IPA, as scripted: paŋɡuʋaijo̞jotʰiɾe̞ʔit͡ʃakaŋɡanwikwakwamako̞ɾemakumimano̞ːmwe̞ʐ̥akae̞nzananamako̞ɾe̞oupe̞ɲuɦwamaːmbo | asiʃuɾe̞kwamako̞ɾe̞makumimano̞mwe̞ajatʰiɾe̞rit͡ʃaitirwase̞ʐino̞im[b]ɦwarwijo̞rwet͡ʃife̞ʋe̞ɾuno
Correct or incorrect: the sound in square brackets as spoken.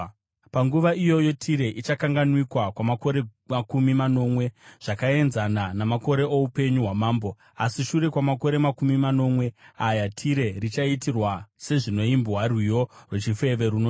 correct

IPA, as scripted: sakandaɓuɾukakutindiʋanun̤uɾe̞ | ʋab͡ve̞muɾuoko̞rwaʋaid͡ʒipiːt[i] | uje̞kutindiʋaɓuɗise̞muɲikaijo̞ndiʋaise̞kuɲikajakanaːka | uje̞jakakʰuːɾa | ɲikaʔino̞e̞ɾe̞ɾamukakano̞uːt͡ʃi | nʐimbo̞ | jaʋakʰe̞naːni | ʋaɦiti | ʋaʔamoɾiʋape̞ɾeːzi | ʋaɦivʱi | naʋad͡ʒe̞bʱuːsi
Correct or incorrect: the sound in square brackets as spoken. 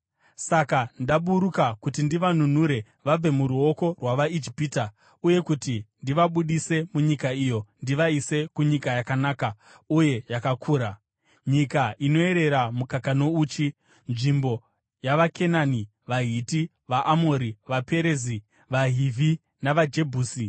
incorrect: a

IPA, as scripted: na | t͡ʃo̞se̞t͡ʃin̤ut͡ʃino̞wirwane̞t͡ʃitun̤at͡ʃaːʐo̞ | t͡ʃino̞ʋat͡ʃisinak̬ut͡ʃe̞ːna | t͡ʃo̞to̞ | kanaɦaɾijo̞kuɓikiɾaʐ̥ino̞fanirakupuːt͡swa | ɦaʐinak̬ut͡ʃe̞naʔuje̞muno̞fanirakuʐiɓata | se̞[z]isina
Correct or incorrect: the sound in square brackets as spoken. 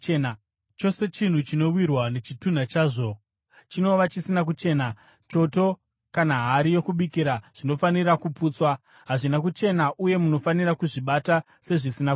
incorrect: ʐ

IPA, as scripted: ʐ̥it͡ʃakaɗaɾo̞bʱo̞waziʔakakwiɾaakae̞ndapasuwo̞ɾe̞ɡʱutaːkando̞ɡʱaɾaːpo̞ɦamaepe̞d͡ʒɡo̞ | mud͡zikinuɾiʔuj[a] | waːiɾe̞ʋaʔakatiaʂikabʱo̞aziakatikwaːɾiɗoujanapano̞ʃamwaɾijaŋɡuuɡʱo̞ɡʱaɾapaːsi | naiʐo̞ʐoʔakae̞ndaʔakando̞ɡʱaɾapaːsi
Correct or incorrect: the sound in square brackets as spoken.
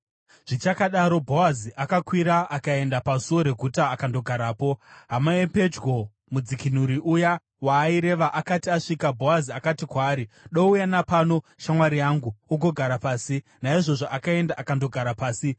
correct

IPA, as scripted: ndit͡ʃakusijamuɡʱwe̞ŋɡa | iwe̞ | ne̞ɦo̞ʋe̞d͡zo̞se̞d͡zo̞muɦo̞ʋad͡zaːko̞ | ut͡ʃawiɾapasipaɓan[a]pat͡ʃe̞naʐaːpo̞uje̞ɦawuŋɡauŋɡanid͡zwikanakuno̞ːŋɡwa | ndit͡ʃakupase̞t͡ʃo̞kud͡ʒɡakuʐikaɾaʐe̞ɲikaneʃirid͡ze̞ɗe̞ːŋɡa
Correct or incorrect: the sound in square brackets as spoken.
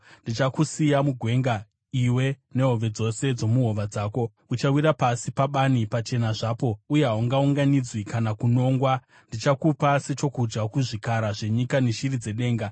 incorrect: i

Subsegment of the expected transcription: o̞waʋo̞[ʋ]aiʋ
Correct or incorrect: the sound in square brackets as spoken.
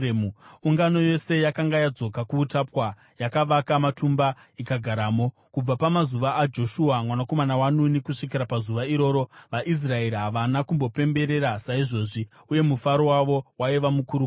incorrect: w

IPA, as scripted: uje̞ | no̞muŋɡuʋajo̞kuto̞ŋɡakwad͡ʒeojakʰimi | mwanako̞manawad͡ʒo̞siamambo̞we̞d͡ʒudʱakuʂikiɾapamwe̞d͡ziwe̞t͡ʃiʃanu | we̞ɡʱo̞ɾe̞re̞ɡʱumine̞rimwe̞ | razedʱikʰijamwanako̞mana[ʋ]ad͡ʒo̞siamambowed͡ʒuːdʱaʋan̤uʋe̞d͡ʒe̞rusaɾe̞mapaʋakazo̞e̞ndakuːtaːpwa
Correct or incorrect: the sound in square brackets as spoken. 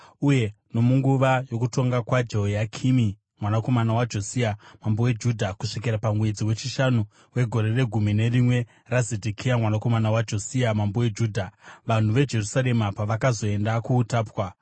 incorrect: w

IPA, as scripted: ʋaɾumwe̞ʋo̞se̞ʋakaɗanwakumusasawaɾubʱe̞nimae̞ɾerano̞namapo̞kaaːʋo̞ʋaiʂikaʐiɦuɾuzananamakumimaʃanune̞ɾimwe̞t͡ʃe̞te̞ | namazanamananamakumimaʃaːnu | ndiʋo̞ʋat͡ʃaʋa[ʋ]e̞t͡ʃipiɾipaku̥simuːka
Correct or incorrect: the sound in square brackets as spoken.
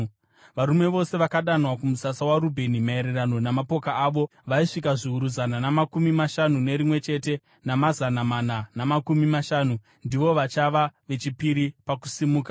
correct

